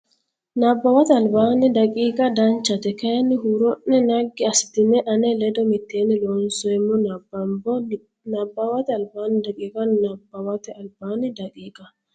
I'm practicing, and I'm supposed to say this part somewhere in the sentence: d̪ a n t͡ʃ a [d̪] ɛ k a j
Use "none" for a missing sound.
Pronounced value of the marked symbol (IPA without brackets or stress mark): t̪